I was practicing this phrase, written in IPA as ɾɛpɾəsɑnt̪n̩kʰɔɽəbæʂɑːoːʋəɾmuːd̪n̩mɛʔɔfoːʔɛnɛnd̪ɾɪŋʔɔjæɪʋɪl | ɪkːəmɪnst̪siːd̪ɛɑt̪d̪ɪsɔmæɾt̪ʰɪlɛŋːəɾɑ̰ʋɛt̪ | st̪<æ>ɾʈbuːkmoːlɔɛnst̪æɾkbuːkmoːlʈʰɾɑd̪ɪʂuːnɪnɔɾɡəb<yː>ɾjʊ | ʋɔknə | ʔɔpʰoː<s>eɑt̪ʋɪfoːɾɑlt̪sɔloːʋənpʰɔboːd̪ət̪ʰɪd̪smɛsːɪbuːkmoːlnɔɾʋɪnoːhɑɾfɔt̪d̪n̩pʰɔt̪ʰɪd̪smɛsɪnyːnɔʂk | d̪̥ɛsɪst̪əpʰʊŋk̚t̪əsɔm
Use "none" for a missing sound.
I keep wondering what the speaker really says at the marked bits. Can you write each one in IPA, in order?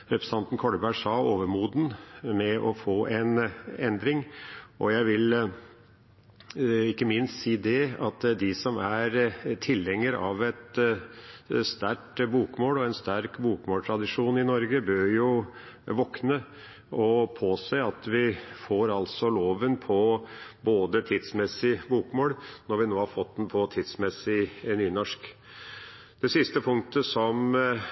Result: æ, øː, s

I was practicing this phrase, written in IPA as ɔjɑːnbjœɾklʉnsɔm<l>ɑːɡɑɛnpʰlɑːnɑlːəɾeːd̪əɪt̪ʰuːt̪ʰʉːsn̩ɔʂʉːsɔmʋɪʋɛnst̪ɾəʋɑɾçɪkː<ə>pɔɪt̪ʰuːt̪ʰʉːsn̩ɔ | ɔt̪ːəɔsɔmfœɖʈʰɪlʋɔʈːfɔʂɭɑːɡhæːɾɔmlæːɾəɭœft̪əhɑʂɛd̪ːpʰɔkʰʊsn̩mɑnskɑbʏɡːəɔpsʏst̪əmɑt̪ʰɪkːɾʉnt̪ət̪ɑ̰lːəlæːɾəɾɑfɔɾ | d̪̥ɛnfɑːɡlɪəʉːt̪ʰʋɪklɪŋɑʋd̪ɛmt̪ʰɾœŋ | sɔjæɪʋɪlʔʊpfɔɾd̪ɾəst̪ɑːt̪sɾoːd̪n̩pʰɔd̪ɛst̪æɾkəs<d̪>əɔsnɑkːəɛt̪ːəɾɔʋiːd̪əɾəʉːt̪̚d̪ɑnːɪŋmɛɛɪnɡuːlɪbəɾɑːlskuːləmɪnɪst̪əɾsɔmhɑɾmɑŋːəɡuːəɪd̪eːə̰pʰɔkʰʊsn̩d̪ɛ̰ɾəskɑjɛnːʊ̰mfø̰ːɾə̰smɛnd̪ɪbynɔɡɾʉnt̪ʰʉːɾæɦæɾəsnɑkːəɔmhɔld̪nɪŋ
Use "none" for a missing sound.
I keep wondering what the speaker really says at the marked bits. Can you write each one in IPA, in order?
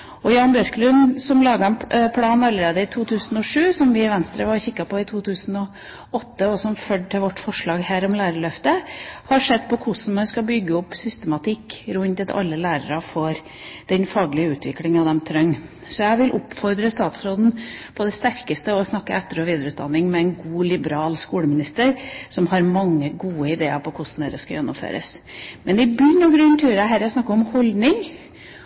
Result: l, ɑ, t̪

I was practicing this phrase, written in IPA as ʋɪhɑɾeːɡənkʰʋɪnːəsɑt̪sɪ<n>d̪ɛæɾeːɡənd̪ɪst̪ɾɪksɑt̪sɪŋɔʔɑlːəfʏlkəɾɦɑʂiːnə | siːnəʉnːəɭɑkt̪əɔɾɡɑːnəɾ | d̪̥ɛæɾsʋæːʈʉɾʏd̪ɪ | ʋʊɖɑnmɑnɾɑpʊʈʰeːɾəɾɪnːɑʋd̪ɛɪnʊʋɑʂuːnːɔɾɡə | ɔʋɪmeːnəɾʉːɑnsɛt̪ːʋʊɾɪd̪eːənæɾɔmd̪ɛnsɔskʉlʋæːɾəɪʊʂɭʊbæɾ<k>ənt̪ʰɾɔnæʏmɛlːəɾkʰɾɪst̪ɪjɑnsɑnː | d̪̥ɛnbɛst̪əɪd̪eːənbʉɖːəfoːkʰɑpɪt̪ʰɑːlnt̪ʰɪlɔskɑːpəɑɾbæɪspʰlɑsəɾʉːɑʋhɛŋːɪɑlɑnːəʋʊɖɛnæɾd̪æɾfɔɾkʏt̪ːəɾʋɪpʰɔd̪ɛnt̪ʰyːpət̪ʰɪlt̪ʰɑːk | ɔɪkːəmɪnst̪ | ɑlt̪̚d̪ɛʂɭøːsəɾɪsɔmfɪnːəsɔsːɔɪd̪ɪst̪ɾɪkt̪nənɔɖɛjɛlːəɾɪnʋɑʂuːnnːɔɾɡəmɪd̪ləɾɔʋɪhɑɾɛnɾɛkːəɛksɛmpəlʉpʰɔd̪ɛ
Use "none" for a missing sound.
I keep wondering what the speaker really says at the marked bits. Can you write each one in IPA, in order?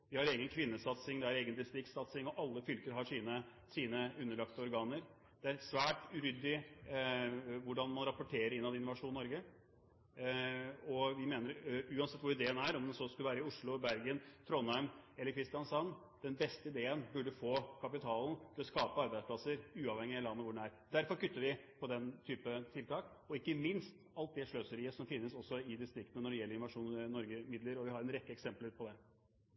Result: ŋ, ɡ

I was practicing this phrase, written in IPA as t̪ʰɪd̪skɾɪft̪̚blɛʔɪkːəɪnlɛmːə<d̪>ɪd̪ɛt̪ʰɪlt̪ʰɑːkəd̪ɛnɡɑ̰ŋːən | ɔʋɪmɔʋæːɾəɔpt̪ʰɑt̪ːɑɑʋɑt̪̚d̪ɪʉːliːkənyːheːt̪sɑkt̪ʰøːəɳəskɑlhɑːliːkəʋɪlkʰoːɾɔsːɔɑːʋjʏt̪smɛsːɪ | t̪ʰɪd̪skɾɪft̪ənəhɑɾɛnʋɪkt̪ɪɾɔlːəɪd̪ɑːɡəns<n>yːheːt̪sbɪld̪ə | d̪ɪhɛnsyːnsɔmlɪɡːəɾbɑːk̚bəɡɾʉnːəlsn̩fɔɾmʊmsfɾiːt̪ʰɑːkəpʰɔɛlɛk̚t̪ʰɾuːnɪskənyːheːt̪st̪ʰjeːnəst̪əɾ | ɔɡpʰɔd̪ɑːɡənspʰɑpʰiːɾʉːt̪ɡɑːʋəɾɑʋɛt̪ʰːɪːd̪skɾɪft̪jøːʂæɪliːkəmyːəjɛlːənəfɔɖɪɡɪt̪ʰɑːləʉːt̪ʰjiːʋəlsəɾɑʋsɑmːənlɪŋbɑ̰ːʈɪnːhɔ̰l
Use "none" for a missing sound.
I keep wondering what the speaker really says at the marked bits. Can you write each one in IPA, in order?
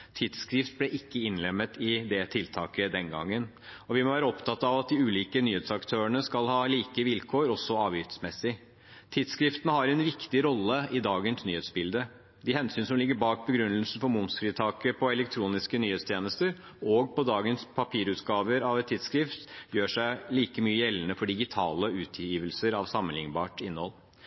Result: t̪, n

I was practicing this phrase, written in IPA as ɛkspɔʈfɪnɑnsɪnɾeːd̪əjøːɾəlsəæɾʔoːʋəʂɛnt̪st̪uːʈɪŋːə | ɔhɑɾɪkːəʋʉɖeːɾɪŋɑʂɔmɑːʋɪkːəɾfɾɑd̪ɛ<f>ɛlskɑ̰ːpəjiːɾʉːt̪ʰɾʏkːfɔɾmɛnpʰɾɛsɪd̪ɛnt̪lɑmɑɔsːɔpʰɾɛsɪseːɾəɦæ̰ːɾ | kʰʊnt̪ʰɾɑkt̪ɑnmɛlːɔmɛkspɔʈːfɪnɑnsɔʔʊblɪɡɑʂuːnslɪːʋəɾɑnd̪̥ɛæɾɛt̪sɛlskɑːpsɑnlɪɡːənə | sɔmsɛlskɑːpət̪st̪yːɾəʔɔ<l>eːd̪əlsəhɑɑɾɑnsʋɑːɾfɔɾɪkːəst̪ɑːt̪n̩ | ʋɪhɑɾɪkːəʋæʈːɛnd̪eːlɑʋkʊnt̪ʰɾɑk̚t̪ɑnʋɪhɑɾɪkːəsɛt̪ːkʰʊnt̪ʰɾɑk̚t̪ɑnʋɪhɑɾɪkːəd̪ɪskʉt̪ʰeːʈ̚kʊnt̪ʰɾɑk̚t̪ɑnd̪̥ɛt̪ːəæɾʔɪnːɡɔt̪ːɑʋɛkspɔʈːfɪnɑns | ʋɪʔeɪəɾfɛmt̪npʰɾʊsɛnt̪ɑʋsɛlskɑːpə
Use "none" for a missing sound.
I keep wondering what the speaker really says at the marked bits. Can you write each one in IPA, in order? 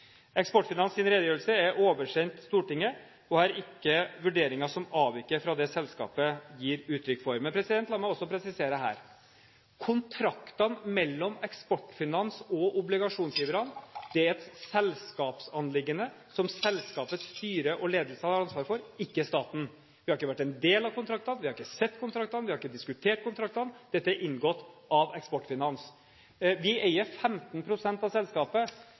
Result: s, l

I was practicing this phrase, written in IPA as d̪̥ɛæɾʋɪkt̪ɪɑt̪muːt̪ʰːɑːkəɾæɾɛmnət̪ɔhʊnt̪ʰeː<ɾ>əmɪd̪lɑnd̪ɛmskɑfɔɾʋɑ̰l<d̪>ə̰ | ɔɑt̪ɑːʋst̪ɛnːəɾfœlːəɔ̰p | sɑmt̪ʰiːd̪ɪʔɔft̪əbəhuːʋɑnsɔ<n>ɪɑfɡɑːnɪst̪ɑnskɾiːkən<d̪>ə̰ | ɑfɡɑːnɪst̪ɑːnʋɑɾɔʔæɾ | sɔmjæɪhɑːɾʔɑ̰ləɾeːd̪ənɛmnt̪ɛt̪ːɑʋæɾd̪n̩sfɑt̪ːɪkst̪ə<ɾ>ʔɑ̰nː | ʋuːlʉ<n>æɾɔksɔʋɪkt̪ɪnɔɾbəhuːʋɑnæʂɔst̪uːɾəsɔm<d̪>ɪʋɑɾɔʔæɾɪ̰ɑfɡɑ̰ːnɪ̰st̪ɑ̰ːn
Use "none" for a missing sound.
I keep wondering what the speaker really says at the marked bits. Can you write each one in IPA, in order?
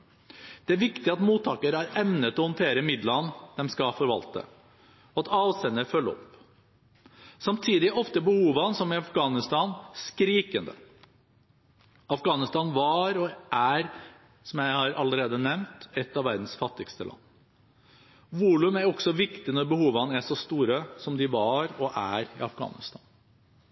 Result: ɾ, t̪, m, d̪, l, m, d̪

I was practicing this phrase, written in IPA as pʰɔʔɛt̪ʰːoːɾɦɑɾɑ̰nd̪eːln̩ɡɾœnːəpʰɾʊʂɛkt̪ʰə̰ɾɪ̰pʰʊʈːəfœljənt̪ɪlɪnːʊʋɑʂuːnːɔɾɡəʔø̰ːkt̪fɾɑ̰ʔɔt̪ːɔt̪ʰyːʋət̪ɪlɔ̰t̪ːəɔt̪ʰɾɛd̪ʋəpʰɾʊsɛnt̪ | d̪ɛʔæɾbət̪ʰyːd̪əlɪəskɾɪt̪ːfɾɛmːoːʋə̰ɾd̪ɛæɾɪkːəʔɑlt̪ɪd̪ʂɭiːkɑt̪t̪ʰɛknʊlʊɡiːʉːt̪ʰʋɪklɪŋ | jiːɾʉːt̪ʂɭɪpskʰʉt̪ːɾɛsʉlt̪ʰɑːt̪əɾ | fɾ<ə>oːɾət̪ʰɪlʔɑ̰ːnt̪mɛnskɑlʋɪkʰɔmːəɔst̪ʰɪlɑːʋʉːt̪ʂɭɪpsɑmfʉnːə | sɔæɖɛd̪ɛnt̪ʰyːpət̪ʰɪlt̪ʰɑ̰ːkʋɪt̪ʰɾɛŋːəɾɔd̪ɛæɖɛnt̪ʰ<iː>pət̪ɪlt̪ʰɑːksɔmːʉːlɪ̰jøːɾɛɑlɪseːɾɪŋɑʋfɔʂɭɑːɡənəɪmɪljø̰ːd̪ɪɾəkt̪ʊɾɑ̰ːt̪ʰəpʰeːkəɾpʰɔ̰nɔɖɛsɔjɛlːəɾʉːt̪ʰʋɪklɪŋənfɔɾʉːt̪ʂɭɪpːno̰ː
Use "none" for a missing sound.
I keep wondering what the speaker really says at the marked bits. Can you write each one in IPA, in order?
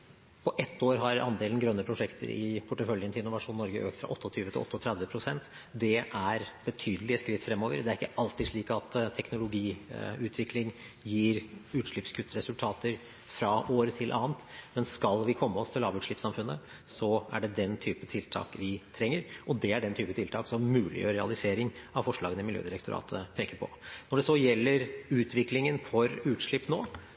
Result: ɑ, yː

